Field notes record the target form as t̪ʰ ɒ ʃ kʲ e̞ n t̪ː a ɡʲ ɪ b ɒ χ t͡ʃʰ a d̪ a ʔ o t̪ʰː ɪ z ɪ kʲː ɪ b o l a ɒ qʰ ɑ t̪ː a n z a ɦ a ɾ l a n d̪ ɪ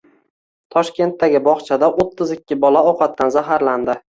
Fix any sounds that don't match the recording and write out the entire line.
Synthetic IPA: t̪ʰ ɒ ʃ kʲ e̞ n t̪ː a ɡʲ ɪ b ɒ χ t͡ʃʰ a d̪ a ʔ o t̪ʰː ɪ z ɪ kʲː ɪ b ɒ l a ɒ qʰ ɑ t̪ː a n z a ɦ a ɾ l a n d̪ ɪ